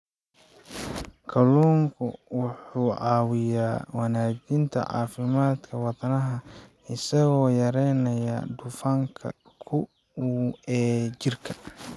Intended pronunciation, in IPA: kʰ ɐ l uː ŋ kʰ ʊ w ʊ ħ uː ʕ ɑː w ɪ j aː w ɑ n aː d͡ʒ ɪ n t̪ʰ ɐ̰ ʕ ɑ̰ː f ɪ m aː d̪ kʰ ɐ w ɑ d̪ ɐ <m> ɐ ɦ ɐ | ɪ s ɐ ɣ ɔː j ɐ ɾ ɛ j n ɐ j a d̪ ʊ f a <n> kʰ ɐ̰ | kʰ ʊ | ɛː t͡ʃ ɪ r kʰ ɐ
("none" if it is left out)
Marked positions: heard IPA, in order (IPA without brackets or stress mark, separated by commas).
n, ŋ